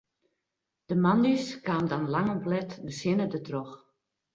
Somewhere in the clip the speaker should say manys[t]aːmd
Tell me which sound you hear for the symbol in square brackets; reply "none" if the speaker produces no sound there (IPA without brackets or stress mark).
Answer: k